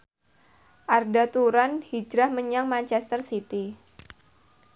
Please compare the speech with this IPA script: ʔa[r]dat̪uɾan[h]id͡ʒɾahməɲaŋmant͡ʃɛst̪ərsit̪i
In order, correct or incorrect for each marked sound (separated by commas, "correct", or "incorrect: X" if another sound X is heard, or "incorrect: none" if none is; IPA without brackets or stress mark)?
correct, correct